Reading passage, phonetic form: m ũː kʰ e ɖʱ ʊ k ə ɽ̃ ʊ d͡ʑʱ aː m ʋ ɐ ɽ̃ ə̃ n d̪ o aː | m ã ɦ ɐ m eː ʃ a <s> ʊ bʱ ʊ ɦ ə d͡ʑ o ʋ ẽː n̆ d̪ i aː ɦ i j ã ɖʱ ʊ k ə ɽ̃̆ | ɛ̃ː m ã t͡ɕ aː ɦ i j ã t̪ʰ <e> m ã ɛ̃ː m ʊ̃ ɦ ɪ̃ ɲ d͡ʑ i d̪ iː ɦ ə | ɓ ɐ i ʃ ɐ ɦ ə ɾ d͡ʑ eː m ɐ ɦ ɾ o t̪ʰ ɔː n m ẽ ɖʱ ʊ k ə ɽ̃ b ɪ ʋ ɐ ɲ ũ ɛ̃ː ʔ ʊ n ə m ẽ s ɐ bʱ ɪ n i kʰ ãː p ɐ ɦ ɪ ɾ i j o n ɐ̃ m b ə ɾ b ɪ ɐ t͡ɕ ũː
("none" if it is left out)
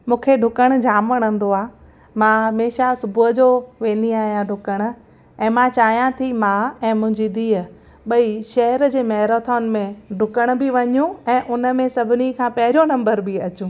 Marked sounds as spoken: s, i

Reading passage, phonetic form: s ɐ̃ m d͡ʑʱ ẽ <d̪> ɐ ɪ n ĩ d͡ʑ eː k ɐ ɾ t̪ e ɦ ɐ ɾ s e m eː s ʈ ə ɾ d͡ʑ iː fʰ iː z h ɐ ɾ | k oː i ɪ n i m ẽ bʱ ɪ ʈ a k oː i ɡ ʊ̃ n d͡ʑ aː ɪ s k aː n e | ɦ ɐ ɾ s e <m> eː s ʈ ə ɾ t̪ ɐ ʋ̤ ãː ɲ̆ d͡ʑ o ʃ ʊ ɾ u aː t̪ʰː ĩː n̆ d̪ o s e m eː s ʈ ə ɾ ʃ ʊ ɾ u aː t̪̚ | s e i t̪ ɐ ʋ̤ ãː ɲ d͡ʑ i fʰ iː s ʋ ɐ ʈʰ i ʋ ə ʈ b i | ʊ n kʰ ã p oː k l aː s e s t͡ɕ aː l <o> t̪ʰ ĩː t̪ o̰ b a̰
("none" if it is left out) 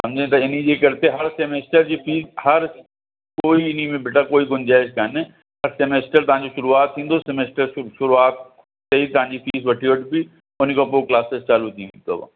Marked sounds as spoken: t̪, m, u

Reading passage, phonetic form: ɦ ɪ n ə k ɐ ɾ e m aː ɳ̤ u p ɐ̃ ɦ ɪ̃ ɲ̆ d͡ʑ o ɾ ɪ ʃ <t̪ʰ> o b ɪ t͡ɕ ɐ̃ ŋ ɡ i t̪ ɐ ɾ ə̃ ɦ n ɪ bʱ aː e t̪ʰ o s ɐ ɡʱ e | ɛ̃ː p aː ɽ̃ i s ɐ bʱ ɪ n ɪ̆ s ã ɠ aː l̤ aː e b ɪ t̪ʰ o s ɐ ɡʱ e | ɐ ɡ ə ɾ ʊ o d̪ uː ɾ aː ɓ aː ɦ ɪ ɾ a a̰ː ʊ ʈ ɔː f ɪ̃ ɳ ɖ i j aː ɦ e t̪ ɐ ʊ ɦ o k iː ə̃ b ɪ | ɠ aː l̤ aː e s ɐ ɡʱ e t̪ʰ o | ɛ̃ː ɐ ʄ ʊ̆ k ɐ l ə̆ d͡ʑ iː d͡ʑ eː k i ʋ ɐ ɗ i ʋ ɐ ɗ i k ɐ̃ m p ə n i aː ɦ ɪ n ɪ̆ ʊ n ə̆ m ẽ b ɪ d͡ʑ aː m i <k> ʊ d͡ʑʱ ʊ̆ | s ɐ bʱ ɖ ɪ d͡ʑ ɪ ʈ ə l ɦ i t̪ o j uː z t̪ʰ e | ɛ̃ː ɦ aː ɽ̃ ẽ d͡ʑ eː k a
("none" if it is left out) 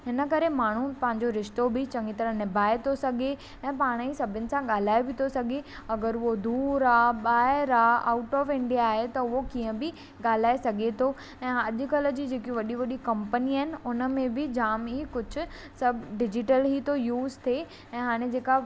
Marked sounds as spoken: t̪, k

